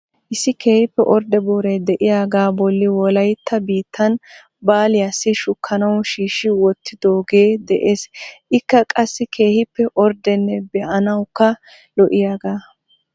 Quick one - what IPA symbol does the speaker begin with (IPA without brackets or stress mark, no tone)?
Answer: ʔ